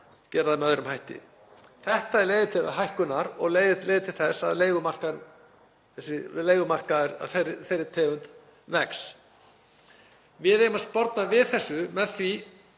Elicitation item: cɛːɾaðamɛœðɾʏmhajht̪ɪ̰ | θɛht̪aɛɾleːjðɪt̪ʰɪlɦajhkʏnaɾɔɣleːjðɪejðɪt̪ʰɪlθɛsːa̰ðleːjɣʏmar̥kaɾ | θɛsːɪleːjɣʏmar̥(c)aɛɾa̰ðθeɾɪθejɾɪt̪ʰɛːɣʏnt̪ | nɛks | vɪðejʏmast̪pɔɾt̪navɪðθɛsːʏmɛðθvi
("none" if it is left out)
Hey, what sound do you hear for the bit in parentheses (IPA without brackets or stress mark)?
k